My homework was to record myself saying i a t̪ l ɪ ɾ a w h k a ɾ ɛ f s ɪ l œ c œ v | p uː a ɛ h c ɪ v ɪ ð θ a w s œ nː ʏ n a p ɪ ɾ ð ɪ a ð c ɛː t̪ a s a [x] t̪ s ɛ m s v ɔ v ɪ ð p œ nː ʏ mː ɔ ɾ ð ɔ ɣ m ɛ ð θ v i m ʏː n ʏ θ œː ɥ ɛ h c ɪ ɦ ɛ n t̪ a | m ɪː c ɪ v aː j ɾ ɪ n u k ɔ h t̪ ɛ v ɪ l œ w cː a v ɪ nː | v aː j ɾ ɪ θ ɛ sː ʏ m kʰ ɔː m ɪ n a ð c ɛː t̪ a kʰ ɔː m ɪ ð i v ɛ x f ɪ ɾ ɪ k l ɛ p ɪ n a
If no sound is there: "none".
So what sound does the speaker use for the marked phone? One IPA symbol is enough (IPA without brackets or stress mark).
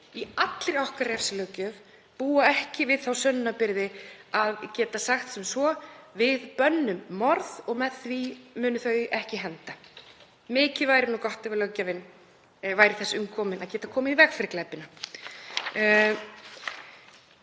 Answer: x